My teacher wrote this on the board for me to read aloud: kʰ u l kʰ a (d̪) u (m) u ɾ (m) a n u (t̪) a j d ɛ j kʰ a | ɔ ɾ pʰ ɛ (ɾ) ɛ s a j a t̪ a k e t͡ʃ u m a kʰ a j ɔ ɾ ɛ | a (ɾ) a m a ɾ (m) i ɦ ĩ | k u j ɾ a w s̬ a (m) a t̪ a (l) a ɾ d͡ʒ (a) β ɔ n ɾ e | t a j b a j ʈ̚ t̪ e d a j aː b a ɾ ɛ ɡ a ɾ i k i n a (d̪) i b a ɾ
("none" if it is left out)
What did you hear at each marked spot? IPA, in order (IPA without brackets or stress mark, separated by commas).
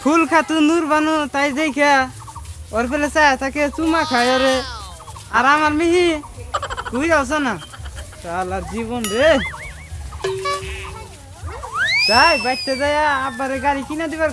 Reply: t̪, n, b, t̪, l, ɾ, m, n, l, i, d̪